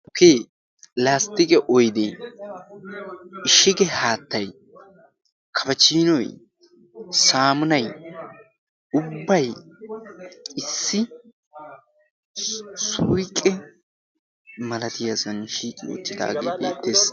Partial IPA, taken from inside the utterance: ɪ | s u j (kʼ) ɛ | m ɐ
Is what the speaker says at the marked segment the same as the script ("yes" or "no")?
yes